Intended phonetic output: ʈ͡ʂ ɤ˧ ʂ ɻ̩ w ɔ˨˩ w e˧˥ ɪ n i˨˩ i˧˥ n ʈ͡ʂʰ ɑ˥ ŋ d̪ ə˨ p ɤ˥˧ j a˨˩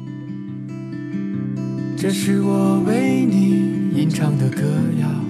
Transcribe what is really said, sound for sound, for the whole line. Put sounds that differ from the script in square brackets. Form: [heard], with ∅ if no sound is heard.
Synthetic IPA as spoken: ʈ͡ʂ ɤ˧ ʂ ɻ̩ w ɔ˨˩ w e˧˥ ɪ n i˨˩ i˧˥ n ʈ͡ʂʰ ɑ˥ ŋ d̪ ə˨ [k] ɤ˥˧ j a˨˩